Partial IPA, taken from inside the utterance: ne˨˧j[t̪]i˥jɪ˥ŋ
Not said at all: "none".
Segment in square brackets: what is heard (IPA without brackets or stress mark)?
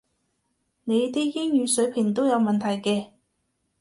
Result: t̪